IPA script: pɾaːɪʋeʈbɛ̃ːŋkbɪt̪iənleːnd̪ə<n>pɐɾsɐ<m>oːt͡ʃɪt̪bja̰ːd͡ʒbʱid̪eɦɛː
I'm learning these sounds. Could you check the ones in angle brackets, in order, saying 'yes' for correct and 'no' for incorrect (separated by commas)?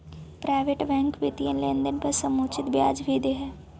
yes, yes